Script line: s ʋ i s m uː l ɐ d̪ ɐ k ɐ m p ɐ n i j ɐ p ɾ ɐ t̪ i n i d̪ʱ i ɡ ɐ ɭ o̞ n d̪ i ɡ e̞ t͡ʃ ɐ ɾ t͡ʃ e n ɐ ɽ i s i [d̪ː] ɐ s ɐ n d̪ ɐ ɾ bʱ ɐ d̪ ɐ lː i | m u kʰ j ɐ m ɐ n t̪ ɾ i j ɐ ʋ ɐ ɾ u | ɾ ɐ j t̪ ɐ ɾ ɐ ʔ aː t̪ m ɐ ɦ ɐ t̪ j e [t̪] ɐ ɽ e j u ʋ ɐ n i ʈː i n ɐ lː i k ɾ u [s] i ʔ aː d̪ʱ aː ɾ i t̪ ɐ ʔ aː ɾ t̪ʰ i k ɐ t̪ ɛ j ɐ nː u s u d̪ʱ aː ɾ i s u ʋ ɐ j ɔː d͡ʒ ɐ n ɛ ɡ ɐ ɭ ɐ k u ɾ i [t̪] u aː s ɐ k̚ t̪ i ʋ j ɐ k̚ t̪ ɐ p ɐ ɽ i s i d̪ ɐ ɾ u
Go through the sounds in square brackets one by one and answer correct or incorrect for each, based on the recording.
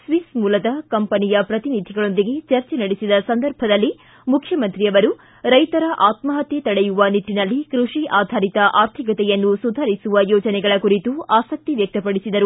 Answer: incorrect: d̪, correct, incorrect: ʂ, correct

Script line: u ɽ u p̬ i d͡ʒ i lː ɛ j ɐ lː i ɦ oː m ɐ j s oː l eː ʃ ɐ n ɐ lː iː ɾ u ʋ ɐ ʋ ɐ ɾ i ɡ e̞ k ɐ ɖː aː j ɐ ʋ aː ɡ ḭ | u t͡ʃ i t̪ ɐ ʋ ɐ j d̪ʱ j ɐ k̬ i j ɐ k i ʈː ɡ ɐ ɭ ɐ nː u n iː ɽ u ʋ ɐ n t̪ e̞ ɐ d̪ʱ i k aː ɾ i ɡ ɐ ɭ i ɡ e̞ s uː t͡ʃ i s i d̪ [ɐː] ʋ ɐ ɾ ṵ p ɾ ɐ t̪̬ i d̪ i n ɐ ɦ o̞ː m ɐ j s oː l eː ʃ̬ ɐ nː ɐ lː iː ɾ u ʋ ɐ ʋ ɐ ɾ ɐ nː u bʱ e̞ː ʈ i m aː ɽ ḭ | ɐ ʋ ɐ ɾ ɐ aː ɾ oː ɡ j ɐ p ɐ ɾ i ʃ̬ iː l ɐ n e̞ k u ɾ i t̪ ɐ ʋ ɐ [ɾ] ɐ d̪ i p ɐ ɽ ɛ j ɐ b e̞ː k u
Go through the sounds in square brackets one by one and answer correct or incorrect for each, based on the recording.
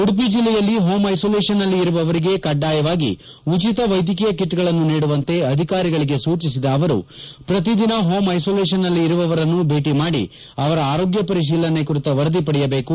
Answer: correct, correct

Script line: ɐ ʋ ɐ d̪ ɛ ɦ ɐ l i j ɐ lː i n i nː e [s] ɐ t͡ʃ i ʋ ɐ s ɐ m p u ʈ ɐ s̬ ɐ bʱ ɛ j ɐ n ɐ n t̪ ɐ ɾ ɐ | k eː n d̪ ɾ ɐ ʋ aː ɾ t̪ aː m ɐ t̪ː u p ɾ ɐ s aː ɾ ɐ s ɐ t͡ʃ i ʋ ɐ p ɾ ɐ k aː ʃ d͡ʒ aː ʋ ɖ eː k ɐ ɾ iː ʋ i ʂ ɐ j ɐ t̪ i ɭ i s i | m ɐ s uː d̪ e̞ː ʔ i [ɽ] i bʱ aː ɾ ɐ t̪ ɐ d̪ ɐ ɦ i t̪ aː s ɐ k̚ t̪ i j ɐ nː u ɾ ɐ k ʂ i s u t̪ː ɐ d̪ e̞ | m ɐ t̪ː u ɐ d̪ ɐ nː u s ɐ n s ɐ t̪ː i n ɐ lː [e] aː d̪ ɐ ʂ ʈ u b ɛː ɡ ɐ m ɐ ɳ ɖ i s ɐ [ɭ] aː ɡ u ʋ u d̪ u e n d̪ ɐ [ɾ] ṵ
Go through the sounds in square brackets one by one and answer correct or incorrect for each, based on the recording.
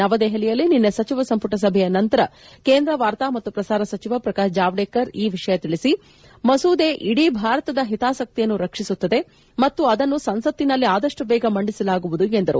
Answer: correct, correct, incorrect: i, incorrect: l, correct

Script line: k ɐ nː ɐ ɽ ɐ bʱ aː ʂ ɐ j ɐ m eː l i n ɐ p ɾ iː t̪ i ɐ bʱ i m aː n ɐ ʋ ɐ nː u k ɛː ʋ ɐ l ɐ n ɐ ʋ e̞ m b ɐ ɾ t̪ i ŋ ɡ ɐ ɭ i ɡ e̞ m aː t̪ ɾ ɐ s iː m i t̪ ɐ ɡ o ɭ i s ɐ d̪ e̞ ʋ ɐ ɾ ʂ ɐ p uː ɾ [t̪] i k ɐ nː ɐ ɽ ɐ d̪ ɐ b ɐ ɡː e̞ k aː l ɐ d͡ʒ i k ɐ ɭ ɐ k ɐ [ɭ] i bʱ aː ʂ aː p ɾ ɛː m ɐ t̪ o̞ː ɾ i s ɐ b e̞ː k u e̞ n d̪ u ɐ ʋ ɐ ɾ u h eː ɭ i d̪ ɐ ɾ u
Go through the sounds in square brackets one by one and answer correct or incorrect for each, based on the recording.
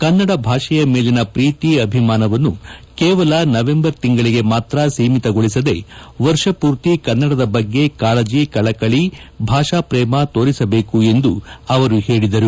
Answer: correct, correct

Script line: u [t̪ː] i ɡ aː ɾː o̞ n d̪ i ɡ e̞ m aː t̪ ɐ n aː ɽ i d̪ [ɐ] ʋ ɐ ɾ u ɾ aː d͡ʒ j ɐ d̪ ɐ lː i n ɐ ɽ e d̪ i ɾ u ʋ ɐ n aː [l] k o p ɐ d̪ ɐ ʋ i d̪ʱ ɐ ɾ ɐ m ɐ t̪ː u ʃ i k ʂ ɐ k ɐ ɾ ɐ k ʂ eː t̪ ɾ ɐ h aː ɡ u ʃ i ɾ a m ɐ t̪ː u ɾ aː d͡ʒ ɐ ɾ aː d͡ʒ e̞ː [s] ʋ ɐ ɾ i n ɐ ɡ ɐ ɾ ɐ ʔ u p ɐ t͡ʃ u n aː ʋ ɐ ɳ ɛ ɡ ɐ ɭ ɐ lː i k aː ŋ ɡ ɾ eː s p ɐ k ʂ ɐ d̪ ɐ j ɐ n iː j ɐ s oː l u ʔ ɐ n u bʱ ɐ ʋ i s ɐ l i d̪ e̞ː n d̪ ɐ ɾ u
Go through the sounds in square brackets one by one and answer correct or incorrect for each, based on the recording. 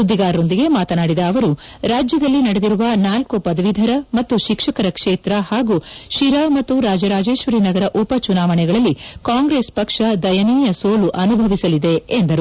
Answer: incorrect: d̪ː, incorrect: ɐː, correct, incorrect: ʃ

